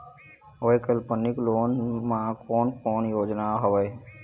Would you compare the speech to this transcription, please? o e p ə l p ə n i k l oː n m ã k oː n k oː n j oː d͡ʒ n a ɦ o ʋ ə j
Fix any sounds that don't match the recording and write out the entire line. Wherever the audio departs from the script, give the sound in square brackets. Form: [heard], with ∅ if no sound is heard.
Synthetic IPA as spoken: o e [k] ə l p ə n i k l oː n m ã k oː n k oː n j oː d͡ʒ n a ɦ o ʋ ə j